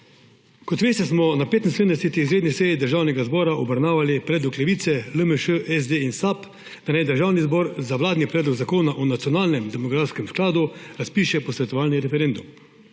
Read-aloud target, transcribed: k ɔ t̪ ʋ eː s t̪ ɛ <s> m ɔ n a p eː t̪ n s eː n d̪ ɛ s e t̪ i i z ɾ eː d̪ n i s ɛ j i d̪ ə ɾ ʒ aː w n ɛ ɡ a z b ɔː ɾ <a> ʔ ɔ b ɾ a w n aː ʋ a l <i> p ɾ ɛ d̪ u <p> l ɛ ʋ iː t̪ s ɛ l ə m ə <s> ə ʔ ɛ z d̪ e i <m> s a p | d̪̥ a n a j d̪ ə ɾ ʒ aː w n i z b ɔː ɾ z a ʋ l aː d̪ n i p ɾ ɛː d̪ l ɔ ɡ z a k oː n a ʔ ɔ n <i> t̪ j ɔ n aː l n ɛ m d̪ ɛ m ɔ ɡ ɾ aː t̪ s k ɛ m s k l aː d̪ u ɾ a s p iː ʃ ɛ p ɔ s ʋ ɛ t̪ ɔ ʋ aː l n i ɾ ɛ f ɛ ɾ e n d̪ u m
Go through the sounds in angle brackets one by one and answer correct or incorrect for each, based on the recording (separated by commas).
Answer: correct, correct, correct, incorrect, incorrect, incorrect, incorrect